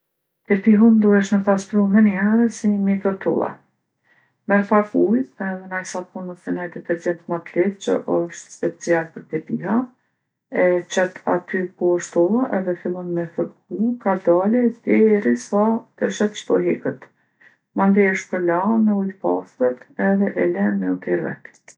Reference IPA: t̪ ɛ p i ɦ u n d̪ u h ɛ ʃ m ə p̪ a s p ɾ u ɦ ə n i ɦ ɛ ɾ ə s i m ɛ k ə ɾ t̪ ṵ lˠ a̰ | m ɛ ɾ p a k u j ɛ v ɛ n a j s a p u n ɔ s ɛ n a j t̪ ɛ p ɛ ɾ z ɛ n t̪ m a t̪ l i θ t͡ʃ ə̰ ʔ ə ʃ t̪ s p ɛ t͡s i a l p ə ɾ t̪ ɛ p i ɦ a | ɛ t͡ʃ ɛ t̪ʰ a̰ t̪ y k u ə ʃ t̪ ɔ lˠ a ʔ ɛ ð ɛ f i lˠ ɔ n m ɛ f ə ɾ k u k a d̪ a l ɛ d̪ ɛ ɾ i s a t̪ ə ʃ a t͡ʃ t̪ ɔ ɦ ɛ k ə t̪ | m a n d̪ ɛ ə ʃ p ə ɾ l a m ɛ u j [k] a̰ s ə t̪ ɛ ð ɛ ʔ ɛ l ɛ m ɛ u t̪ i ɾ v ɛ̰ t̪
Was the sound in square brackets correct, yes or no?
no